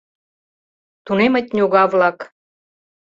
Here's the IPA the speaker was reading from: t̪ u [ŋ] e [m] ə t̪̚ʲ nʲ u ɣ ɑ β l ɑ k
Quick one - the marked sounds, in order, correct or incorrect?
incorrect, correct

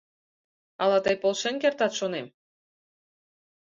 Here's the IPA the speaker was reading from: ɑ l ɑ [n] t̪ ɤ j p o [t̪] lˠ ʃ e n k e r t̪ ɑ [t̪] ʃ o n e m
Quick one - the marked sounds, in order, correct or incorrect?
incorrect, incorrect, correct

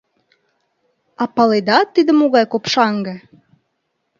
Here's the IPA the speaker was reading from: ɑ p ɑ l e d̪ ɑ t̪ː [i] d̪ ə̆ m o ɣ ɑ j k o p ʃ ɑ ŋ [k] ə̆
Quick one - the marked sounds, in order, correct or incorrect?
correct, incorrect

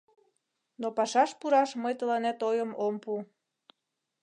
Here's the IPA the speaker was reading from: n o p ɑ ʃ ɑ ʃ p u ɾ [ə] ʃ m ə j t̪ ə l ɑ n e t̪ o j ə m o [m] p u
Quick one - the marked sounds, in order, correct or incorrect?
incorrect, correct

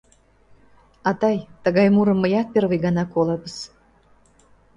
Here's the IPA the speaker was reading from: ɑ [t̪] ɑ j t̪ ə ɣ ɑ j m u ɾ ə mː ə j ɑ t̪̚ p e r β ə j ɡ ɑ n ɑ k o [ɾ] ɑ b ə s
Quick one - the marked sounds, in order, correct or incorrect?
correct, incorrect

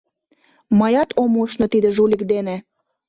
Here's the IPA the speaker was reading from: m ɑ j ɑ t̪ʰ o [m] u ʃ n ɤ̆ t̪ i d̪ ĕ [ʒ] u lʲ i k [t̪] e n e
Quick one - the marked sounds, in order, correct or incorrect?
correct, correct, incorrect

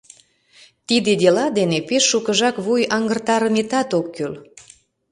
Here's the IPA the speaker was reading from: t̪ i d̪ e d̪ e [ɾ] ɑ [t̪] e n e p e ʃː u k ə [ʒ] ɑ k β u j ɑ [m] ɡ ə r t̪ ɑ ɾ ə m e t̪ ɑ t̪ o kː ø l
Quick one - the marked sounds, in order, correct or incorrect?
incorrect, incorrect, correct, incorrect

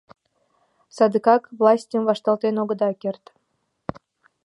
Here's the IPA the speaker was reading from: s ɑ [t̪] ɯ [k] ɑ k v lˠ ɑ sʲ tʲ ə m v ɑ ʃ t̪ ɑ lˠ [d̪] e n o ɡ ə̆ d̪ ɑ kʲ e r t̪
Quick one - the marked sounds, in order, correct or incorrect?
incorrect, correct, incorrect

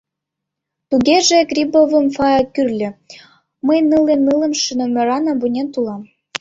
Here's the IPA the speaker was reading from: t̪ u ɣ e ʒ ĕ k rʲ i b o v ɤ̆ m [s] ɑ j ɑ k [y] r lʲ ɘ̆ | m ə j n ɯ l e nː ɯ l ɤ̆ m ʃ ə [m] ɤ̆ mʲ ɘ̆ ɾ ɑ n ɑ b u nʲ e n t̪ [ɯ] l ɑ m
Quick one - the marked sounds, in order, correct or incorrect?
incorrect, correct, incorrect, incorrect

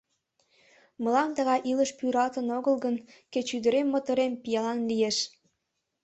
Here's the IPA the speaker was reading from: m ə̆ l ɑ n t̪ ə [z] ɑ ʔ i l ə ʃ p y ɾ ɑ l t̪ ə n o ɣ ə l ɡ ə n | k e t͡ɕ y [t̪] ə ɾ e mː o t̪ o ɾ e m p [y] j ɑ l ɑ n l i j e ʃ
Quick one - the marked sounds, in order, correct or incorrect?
incorrect, incorrect, incorrect

